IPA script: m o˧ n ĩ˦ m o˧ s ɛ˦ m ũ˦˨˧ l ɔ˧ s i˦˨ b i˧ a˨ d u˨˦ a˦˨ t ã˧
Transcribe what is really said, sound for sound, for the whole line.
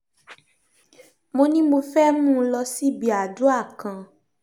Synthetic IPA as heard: m o˧ n ĩ˦ m o˧ f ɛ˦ m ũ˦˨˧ l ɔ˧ s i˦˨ b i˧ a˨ d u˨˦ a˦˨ k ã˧